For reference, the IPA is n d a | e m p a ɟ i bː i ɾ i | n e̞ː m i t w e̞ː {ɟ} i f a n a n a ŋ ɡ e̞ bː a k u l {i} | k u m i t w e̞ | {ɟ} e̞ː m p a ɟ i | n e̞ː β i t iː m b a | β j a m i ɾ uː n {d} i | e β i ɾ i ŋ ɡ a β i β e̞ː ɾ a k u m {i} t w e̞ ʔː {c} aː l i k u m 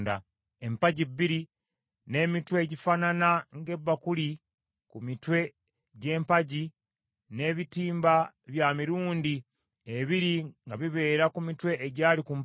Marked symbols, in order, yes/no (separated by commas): yes, yes, yes, yes, yes, no